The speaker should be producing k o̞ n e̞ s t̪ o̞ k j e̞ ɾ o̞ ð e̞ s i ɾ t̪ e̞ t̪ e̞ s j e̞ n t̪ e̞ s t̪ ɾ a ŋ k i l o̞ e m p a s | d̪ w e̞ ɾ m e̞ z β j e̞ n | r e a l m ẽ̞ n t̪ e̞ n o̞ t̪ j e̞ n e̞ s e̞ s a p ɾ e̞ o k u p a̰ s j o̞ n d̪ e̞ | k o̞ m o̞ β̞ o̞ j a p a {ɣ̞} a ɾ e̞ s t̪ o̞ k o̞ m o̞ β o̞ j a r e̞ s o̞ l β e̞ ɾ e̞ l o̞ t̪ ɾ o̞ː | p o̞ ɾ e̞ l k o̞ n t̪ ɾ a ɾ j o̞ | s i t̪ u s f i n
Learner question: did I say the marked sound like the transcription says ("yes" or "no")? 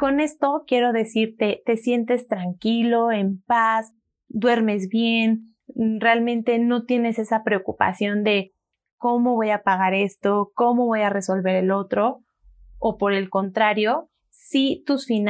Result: yes